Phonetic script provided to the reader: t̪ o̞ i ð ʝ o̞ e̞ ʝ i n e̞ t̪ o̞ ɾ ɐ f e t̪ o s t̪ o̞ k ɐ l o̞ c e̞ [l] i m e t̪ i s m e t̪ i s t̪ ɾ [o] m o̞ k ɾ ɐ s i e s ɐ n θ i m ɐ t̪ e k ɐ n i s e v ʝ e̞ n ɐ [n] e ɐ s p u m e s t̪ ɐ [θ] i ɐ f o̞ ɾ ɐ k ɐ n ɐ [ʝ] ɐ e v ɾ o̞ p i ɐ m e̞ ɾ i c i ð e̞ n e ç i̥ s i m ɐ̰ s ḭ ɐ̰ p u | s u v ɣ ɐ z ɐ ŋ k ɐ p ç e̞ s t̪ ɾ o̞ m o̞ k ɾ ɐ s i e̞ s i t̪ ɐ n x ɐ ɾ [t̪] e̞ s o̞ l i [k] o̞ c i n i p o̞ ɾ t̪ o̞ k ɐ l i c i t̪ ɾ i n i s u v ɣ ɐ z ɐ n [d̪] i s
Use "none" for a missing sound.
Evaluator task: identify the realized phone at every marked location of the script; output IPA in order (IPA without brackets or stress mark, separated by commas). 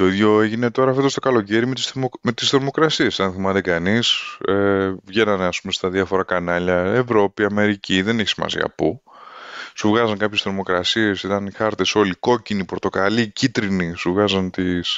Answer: ɾ, o, n, ð, ʎ, t̪, k, t̪